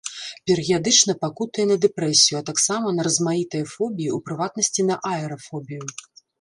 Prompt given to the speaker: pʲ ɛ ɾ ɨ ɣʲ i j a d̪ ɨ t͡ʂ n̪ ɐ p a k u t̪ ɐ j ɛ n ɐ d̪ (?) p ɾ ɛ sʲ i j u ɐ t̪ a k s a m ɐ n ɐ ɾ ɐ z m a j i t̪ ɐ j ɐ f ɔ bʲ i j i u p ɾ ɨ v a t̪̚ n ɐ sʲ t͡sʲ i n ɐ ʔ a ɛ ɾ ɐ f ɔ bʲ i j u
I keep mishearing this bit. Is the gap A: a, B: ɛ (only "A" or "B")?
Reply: B